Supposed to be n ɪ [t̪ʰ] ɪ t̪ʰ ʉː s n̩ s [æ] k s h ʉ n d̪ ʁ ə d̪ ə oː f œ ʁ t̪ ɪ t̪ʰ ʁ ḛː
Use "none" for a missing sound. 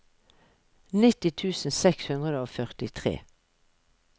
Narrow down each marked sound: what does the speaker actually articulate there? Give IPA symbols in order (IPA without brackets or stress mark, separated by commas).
t̪, ɛ